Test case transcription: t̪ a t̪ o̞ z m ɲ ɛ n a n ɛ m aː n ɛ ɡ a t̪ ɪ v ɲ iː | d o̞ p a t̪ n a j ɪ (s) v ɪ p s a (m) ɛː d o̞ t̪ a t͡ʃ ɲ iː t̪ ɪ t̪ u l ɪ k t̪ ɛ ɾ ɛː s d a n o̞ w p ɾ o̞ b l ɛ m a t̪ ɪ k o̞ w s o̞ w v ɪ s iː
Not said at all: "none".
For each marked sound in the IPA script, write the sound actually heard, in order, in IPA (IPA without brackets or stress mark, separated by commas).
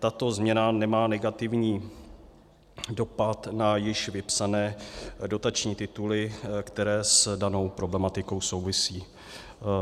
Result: ʃ, n